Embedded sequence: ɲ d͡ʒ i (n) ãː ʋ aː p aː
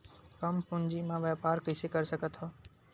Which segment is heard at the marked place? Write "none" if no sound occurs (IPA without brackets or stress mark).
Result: m